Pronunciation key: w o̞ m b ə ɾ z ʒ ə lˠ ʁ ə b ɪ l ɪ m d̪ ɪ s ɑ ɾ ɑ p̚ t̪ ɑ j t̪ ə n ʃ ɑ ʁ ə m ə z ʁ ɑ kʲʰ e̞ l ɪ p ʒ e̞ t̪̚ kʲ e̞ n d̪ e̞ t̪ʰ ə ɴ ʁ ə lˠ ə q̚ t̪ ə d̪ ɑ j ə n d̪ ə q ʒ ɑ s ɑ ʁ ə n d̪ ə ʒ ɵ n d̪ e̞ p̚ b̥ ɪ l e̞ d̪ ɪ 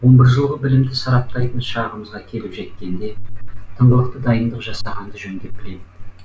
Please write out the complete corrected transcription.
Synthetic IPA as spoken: w o̞ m b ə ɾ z ʒ ə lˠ ʁ ə b ɪ l ɪ m d̪ ɪ s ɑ ɾ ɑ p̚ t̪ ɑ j t̪ ə n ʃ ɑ ʁ ə m ə z ʁ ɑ kʲʰ e̞ l ɪ p ʒ e̞ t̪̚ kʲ e̞ n d̪ e̞ t̪ʰ ə ɴ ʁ ə lˠ ə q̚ t̪ ə d̪ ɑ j ə n d̪ ə q ʒ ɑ s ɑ ʁ ɑ n d̪ ə ʒ ɵ n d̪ e̞ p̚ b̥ ɪ l e̞ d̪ ɪ